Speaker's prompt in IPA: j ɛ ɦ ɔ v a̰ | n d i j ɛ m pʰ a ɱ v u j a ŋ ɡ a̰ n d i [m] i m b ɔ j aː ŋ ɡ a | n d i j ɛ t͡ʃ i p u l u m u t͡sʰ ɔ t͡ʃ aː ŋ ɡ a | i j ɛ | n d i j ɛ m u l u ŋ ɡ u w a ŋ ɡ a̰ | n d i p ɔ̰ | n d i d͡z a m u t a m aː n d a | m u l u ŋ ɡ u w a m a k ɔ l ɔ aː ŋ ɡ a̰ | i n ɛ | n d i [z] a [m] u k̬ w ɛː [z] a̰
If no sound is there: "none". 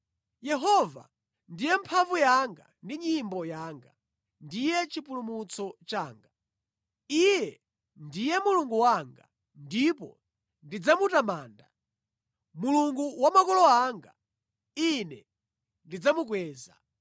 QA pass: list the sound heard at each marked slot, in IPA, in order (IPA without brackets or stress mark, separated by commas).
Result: ɲ, d͡z, m, z